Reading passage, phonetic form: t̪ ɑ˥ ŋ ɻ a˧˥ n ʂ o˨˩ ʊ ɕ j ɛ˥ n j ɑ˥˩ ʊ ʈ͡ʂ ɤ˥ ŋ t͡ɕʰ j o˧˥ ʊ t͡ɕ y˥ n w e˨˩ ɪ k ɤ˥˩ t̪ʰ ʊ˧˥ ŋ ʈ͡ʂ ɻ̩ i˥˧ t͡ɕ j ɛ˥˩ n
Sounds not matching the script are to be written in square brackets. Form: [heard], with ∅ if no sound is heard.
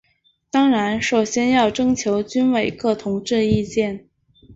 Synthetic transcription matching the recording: t̪ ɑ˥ ŋ ɻ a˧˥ n ʂ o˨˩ ʊ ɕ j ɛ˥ n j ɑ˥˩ ʊ ʈ͡ʂ ɤ˥ ŋ t͡ɕʰ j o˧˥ ʊ t͡ɕ y˥ n w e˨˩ ɪ k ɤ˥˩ t̪ʰ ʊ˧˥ ŋ ʈ͡ʂ ɻ̩ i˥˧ t͡ɕ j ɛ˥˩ n